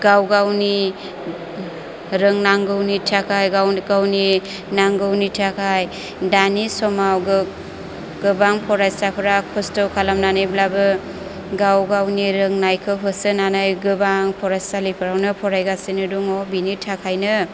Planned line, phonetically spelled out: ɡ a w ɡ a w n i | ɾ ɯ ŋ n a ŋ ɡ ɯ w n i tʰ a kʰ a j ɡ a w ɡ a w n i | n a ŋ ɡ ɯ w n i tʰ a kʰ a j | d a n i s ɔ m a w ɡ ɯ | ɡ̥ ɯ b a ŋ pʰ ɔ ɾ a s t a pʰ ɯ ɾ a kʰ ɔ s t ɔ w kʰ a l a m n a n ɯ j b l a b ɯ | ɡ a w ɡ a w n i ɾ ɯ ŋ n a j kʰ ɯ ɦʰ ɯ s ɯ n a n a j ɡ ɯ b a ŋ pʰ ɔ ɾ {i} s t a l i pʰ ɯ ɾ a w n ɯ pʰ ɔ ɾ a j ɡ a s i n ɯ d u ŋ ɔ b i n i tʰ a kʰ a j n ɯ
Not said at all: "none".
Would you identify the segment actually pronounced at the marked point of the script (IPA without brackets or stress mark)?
a